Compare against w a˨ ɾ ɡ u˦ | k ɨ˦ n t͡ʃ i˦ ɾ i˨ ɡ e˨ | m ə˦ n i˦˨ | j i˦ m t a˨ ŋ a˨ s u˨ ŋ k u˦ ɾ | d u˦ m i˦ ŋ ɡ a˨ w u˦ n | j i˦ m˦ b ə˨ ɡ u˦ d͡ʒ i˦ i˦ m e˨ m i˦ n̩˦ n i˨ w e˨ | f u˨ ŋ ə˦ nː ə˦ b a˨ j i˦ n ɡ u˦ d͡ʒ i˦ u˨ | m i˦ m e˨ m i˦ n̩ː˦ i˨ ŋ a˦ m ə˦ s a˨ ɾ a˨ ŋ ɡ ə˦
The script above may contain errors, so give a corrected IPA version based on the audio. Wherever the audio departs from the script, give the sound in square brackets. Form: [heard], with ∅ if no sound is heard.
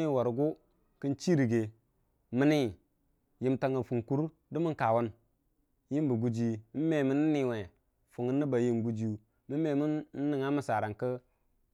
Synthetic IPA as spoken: w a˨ ɾ ɡ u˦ | k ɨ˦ n t͡ʃ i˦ ɾ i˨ ɡ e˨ | m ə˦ n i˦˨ | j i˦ m t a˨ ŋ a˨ [f] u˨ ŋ k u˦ ɾ | d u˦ m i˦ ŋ [k] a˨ w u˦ n | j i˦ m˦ b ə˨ ɡ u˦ d͡ʒ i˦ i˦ m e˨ m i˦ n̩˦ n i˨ w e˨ | f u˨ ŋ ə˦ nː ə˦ b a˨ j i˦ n ɡ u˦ d͡ʒ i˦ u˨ | m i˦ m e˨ m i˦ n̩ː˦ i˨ ŋ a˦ m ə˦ s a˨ ɾ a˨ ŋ [k] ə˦